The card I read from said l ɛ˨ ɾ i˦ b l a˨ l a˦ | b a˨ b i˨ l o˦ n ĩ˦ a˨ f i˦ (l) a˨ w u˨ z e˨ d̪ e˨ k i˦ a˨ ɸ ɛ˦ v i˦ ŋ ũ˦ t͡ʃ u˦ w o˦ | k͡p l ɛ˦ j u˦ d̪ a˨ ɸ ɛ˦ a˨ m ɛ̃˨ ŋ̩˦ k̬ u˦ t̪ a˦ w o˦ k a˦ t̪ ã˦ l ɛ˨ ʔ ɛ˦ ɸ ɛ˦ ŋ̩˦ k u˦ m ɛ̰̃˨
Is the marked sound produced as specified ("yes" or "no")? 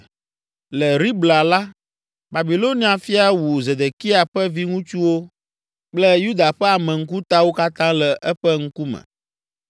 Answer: no